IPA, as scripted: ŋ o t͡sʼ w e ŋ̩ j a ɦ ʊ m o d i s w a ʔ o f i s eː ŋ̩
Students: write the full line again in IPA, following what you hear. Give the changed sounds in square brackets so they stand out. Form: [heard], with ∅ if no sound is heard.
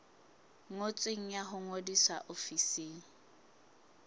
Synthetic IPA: ŋ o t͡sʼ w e ŋ̩ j a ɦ ʊ [ŋ] o d i s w a ʔ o f i s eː ŋ̩